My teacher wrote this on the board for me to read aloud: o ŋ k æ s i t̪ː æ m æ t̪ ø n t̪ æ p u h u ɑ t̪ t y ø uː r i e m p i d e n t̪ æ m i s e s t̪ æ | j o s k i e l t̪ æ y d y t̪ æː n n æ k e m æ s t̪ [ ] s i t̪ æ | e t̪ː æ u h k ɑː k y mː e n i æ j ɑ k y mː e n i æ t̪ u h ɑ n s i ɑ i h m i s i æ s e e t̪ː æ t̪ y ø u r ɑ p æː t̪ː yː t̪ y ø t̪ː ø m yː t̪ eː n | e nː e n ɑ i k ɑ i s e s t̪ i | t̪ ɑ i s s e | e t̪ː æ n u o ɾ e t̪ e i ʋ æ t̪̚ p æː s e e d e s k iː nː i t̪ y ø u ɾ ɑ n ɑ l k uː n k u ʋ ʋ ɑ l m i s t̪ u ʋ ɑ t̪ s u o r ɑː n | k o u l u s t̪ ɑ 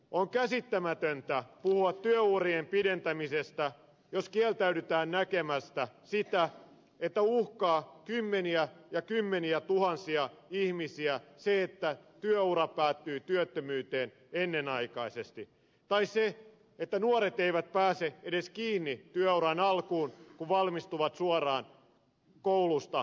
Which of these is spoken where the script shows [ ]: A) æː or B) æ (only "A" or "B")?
B